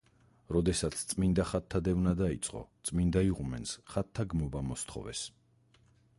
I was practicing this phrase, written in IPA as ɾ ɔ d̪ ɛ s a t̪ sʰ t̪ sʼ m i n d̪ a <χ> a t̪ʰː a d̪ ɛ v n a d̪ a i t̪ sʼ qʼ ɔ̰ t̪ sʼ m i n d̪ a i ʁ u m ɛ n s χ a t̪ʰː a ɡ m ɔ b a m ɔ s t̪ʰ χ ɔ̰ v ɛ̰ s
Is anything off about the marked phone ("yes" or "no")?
no